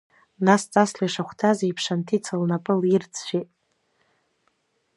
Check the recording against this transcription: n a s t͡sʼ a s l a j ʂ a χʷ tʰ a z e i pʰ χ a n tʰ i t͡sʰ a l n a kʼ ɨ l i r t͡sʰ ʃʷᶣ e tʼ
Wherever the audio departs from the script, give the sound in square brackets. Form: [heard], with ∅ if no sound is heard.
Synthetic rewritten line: n a s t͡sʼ a s l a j ʂ a χʷ tʰ a z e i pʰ [ʂ] a n tʰ i t͡sʰ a l n a [pʼ] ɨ l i r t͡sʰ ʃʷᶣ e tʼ